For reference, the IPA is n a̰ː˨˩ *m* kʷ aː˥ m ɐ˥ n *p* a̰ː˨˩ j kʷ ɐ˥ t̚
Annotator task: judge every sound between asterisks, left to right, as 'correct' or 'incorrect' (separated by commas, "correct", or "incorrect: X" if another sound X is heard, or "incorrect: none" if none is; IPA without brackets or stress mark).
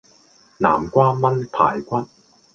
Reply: correct, incorrect: pʰ